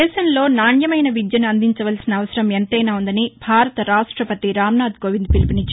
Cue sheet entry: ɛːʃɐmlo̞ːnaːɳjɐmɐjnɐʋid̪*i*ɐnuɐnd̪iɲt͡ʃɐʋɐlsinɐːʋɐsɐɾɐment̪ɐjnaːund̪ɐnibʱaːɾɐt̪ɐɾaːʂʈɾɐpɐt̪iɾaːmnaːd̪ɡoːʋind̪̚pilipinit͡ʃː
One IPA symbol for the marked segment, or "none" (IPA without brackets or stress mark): j